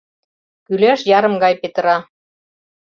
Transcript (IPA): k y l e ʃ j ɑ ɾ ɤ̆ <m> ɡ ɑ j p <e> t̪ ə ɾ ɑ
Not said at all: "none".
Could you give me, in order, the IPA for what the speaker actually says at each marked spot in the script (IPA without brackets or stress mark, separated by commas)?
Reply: m, e